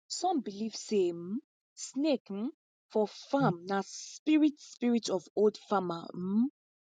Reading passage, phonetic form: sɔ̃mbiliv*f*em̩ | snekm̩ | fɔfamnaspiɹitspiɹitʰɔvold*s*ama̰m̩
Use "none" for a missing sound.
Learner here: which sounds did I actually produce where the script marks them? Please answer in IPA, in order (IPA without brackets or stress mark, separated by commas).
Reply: s, f